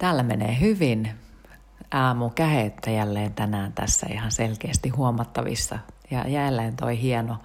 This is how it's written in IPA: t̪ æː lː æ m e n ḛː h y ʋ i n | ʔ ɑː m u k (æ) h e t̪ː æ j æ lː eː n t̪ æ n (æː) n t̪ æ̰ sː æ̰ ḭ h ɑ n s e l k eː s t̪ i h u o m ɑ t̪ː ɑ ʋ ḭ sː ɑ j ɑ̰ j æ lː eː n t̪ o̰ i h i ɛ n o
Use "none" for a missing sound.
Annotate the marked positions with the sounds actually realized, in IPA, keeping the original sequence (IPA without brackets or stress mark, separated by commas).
æ, æː